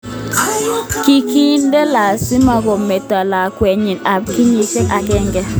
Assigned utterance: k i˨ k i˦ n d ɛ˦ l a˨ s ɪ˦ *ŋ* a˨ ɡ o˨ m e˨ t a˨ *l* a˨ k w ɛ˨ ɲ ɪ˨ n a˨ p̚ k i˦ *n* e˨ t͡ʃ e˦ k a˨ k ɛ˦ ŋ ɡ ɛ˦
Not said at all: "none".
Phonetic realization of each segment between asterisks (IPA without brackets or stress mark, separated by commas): m, l, ɲ